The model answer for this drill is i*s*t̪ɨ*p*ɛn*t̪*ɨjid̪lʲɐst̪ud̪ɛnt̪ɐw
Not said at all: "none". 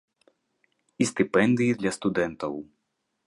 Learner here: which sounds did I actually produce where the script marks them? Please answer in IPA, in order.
s, p, d̪

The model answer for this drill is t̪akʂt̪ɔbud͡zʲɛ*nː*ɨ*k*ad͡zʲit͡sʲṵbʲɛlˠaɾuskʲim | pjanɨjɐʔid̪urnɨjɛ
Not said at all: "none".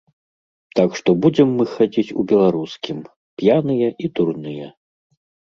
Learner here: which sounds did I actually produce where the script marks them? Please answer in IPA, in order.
mː, x

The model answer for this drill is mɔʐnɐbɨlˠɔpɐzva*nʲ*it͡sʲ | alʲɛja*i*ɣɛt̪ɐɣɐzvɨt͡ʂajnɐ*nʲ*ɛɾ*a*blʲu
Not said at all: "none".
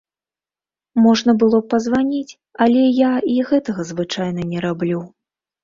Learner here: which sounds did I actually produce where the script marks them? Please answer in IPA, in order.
nʲ, i, nʲ, a

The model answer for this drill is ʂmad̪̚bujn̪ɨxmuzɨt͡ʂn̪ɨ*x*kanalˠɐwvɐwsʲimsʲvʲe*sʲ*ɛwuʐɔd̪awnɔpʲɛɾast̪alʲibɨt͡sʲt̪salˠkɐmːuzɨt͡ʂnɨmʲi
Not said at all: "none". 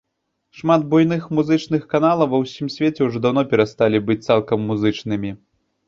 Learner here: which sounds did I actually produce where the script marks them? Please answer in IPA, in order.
x, t͡sʲ

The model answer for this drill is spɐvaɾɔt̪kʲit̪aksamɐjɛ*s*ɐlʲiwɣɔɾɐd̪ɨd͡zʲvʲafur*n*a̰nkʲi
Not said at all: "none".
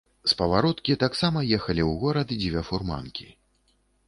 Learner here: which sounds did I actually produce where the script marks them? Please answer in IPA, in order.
x, m

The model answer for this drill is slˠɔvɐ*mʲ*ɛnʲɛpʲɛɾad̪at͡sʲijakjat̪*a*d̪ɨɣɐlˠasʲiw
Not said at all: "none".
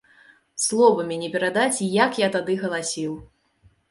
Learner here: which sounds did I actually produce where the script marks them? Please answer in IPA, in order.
mʲ, a

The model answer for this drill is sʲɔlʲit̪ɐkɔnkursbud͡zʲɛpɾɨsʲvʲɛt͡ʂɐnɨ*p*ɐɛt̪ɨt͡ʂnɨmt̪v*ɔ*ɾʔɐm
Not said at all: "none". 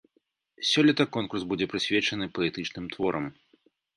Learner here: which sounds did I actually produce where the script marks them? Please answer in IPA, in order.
p, ɔ

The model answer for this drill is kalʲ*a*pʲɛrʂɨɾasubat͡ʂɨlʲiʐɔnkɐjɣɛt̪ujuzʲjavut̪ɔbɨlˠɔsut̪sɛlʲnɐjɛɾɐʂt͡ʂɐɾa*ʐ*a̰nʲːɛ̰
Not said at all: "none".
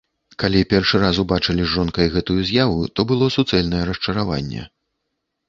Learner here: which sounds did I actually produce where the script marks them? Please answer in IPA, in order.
i, v

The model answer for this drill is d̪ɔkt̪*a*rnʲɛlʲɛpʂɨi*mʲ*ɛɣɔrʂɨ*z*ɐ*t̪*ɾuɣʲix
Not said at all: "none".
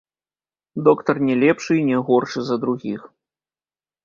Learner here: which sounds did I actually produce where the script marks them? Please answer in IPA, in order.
ɐ, nʲ, z, d̪

